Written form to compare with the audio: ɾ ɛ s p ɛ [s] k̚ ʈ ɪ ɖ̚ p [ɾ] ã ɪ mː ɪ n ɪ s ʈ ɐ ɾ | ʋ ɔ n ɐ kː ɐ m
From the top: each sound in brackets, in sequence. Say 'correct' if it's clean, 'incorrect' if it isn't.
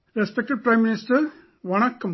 incorrect: none, correct

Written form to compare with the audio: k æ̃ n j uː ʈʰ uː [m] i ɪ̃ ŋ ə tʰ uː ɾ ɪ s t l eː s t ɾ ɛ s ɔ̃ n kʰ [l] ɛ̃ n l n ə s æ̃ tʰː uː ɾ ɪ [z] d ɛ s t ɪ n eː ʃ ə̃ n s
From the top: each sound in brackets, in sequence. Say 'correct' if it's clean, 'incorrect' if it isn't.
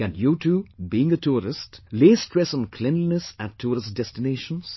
incorrect: b, correct, incorrect: s

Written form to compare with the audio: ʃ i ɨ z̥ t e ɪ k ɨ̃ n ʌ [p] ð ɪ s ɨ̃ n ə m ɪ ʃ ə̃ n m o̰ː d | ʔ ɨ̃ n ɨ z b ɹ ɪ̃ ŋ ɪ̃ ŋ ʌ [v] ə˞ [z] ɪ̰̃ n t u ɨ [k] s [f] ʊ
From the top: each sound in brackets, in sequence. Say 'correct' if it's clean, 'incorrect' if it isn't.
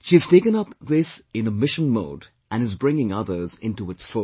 correct, incorrect: ð, correct, incorrect: t, correct

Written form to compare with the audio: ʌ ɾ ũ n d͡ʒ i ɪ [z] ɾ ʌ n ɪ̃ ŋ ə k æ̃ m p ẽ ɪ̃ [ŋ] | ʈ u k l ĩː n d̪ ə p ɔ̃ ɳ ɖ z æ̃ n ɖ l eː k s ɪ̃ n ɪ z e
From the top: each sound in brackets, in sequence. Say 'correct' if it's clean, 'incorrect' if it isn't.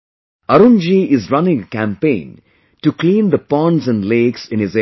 correct, incorrect: n

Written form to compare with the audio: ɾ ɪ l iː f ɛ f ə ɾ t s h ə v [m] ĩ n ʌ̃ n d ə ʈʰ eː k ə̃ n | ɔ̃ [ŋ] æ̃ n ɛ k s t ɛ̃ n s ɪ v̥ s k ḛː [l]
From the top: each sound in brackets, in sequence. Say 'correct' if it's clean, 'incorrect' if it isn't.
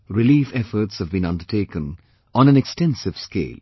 incorrect: b, incorrect: n, correct

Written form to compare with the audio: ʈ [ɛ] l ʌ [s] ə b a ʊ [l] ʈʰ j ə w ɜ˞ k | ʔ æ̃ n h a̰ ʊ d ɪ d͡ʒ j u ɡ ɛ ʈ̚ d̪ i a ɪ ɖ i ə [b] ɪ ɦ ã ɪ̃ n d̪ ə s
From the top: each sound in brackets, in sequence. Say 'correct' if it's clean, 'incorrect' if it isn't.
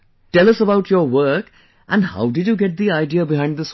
correct, correct, incorrect: none, correct

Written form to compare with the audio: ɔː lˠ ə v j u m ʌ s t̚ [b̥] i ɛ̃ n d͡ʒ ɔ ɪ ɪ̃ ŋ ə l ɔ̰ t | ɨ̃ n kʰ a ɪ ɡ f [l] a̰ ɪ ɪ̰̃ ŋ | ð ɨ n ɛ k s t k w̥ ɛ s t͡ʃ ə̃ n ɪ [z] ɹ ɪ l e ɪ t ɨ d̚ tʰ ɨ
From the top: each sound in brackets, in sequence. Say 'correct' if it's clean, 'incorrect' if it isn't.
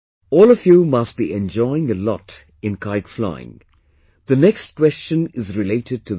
correct, correct, correct

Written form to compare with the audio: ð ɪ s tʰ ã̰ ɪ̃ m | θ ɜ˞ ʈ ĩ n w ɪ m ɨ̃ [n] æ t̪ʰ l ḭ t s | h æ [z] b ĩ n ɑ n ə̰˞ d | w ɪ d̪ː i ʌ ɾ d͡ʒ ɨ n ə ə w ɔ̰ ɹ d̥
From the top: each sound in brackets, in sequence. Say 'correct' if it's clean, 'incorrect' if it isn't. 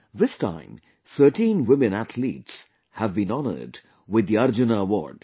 correct, incorrect: v

